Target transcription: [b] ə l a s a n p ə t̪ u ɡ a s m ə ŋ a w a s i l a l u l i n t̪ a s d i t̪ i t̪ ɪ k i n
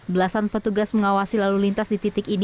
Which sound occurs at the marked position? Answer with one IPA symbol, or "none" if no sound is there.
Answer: b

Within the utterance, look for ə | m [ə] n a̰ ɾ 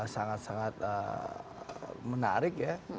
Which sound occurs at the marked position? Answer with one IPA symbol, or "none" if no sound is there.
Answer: ə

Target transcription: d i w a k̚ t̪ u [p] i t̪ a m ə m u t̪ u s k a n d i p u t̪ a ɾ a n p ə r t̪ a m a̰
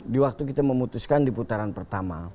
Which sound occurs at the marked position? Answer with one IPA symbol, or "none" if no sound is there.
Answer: k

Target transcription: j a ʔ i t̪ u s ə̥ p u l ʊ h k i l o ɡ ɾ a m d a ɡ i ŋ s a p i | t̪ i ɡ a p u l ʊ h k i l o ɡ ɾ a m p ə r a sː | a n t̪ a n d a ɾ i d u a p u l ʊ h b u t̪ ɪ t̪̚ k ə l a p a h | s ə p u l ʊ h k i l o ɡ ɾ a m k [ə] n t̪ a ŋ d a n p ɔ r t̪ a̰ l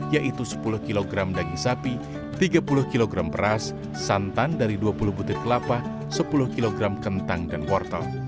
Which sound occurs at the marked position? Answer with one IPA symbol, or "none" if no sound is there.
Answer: ə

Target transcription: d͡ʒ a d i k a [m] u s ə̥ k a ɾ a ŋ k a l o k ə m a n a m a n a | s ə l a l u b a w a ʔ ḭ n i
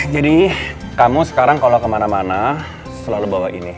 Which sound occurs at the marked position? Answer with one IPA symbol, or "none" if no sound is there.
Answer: m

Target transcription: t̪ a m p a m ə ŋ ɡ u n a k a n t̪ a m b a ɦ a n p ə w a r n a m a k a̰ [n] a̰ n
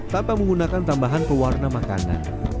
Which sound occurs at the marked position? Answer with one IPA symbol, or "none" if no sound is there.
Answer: n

